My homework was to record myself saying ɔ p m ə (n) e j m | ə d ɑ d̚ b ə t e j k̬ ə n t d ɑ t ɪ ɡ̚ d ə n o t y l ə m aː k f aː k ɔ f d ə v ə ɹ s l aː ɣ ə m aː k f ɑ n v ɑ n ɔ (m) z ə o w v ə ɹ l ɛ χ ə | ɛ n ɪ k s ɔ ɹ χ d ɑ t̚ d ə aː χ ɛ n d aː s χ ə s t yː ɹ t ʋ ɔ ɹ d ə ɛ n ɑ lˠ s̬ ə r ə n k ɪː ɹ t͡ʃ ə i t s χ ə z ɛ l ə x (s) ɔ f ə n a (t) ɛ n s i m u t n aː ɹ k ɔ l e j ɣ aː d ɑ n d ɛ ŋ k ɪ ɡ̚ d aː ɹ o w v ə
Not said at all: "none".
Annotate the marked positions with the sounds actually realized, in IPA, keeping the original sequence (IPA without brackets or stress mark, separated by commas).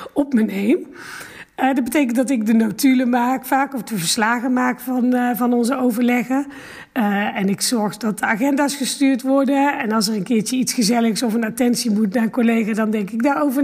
n, n, s, t